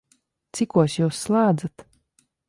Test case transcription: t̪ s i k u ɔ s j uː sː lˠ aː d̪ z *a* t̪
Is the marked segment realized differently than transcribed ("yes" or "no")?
no